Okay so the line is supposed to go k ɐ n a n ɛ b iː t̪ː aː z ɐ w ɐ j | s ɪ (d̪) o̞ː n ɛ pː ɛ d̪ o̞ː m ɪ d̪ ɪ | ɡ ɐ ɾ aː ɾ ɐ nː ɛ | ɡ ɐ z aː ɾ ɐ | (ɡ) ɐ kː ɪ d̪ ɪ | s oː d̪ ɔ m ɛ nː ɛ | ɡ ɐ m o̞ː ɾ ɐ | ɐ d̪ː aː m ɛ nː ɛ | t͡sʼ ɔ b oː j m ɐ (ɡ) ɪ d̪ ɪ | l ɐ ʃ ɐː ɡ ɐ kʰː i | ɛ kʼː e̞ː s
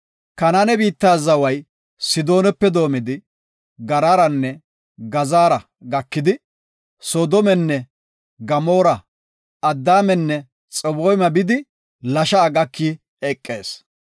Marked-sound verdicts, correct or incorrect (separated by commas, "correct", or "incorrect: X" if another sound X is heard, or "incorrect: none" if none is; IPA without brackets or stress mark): correct, correct, incorrect: b